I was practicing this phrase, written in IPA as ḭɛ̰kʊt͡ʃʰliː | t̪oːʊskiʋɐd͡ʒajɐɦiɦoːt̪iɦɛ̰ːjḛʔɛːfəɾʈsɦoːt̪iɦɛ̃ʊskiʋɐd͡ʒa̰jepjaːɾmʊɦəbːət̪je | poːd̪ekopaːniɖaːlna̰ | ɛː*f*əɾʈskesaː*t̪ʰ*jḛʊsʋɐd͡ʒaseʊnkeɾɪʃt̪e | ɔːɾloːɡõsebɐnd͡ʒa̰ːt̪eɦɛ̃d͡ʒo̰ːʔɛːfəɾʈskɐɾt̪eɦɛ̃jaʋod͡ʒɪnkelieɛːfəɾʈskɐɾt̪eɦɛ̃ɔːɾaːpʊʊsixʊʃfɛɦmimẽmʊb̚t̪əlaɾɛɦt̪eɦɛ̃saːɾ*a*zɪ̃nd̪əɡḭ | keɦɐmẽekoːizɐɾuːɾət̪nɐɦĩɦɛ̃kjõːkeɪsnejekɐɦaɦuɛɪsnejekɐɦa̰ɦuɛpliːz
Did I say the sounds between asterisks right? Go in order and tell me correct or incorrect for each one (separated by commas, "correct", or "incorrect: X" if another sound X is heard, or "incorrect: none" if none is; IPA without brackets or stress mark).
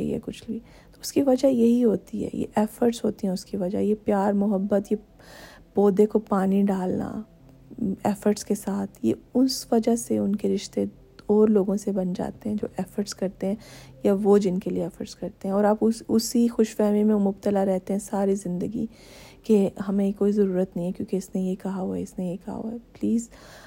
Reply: correct, correct, incorrect: i